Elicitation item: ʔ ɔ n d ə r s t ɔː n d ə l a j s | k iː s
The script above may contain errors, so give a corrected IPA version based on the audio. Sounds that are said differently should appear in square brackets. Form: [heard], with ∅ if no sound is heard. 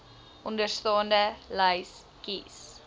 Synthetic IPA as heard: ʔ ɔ n d ə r s t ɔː n d ə l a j s | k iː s